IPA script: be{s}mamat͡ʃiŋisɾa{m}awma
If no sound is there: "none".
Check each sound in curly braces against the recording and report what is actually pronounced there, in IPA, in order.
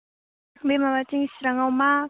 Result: none, ŋ

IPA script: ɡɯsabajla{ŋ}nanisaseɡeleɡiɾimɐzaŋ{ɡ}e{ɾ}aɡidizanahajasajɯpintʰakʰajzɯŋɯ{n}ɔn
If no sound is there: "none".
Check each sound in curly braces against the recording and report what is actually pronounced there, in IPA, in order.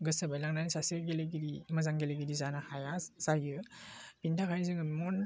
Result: ŋ, ɡ, l, m

